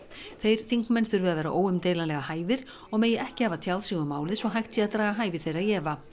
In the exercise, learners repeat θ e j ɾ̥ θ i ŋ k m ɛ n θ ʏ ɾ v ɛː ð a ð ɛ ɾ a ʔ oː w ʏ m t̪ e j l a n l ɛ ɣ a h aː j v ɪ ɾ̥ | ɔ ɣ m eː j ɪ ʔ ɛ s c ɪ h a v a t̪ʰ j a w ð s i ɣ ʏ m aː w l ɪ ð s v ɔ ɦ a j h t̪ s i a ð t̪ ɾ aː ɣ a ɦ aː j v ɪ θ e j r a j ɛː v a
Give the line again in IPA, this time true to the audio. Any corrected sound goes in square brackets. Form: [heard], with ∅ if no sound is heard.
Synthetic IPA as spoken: θ e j ɾ̥ θ i ŋ k m ɛ n θ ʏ ɾ v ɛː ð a ð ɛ ɾ a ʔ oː w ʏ m t̪ e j l a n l ɛ ɣ a h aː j v ɪ ɾ̥ | ɔ ɣ m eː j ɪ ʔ ɛ [h] c ɪ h a v a t̪ʰ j a w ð s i ɣ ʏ m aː w l ɪ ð s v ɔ ɦ a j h t̪ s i a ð t̪ ɾ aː ɣ a ɦ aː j v ɪ θ e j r a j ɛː v a

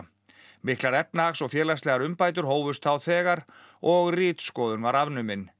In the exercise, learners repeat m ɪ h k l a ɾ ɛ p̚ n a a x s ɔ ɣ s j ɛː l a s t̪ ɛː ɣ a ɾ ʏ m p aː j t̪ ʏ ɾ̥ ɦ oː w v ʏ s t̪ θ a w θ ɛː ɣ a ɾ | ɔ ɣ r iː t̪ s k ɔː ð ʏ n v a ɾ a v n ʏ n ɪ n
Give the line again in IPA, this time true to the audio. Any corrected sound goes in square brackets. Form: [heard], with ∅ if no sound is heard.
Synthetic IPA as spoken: m ɪ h k l a ɾ ɛ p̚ n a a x s ɔ ɣ [f] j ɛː l a s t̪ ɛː ɣ a ɾ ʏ m p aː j t̪ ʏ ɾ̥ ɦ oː w v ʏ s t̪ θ a w θ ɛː ɣ a ɾ | ɔ ɣ r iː t̪ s k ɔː ð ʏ n v a ɾ a v n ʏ [m] ɪ n

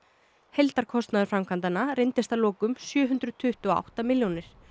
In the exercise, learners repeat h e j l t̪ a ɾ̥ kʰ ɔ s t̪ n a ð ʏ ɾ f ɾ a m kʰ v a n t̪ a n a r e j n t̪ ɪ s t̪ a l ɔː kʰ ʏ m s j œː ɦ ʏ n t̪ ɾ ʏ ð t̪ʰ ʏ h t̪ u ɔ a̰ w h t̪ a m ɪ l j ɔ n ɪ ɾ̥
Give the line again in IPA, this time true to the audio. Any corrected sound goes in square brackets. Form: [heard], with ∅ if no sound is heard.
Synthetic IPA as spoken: h e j l t̪ a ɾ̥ kʰ ɔ s t̪ n a ð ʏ ɾ f ɾ a m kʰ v a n t̪ a n a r e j n t̪ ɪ s t̪ a l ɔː [k] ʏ m s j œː ɦ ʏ n t̪ ɾ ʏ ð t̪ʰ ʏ h t̪ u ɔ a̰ w h t̪ a m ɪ l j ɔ n ɪ ɾ̥

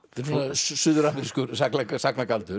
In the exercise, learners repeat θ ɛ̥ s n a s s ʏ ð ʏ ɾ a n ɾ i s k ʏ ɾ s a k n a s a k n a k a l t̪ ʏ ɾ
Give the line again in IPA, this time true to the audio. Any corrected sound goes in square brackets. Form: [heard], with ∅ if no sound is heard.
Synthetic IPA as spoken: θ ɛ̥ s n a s s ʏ ð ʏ ɾ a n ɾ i s k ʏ ɾ s a k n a s a k n a k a l t̪ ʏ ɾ

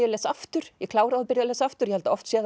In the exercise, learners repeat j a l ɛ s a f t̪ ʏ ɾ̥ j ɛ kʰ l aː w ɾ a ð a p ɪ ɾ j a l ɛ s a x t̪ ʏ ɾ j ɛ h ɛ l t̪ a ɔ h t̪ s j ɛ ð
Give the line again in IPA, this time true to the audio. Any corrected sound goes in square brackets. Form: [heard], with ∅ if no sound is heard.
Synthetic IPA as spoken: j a l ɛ s a f t̪ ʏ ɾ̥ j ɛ kʰ l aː w ɾ a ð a p ɪ ɾ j a l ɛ s a [f] t̪ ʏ ɾ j ɛ h ɛ l t̪ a ɔ [f] t̪ s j ɛ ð

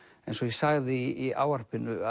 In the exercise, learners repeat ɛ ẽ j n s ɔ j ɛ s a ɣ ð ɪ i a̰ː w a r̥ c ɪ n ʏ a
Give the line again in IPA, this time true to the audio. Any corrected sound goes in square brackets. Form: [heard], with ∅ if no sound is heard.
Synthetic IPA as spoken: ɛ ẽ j n s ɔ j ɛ s a ɣ ð ɪ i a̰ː w a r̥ [p] ɪ n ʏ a

